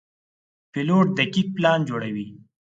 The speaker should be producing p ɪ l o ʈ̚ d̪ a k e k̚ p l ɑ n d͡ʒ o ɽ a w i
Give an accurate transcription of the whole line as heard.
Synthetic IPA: p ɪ l o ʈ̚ d̪ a k i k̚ p l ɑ n d͡ʒ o ɽ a w i